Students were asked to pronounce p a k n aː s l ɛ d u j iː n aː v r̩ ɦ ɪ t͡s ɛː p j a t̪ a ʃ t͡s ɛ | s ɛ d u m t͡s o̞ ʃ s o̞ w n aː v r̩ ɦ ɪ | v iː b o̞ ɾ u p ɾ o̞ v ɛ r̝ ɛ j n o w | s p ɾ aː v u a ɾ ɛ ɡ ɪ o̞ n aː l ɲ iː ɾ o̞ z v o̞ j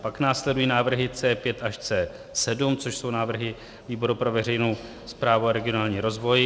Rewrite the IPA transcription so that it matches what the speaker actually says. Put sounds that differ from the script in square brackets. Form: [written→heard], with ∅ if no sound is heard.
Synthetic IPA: p a k n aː s l ɛ d u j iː n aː v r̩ ɦ ɪ t͡s ɛː p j [a→ɛ] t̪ a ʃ t͡s [ɛ→ɛː] | s ɛ d u m t͡s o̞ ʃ s o̞ w n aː v r̩ ɦ ɪ | v iː b o̞ ɾ u p ɾ o̞ v ɛ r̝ ɛ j n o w | s p ɾ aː v u a ɾ ɛ ɡ ɪ o̞ n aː l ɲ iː ɾ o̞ z v o̞ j